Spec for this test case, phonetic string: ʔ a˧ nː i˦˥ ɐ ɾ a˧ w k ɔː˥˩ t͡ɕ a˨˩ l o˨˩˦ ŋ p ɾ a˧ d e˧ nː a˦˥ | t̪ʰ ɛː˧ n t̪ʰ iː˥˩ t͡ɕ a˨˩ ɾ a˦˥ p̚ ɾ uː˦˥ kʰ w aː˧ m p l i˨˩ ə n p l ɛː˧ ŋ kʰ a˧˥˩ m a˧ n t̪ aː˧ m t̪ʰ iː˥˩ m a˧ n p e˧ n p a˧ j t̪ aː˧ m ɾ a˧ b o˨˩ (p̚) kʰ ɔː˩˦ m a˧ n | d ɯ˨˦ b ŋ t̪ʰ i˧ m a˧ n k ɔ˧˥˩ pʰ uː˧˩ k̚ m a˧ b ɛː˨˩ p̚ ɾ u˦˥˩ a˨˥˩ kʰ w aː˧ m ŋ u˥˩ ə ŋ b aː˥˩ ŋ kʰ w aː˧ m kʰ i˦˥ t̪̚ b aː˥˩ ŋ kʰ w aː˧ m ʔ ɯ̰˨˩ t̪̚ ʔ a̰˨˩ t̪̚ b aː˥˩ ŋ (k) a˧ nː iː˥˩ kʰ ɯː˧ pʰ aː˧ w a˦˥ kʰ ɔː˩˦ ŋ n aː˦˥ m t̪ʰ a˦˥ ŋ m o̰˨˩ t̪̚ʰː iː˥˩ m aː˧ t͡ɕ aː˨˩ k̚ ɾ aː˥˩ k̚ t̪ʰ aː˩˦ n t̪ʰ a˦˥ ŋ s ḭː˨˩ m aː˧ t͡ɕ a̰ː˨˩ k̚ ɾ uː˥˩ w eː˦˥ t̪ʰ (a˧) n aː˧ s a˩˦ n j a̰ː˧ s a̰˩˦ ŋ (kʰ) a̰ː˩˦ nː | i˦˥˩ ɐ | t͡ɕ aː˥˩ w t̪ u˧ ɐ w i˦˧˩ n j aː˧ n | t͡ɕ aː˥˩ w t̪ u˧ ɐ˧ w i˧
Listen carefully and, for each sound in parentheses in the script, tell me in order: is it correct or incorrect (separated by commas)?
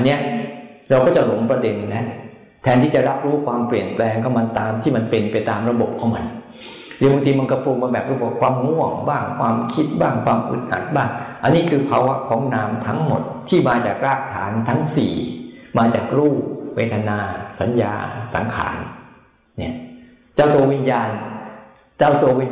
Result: correct, incorrect, correct, correct